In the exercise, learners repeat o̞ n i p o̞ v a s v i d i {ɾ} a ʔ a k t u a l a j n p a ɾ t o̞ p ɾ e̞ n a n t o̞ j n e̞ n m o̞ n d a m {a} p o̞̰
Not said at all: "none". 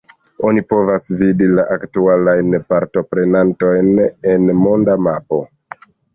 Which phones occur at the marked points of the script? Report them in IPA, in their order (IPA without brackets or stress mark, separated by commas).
l, a